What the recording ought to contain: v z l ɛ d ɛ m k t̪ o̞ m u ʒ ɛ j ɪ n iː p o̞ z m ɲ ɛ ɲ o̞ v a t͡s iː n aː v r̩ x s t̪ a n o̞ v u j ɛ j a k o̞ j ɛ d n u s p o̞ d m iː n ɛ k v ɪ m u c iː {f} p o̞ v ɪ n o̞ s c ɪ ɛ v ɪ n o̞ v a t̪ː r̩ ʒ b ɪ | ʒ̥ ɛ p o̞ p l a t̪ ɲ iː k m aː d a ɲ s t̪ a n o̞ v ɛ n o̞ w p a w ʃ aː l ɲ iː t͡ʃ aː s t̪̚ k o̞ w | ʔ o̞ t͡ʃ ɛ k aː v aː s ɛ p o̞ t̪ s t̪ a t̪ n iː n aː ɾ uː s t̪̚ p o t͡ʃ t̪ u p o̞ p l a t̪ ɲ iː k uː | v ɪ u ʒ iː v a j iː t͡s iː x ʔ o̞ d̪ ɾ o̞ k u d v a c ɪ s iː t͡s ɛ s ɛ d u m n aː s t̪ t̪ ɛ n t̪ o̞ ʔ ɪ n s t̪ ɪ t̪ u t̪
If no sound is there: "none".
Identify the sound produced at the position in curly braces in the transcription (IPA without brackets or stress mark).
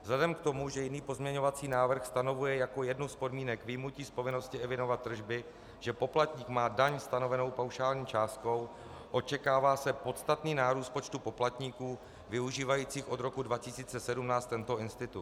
s